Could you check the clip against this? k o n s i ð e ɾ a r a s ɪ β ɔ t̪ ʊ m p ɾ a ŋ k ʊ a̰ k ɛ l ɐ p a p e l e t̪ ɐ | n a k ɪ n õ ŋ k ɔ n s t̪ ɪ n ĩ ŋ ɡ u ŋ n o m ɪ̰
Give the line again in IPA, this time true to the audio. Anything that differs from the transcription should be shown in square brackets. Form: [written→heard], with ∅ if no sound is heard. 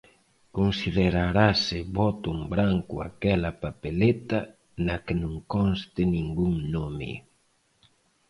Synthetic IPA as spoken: k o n s i ð e ɾ a [r→ɾ] a s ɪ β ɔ t̪ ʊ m [p→b] ɾ a ŋ k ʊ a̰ k ɛ l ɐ p a p e l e t̪ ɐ | n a k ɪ n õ ŋ k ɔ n s t̪ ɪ n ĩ ŋ ɡ u ŋ n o m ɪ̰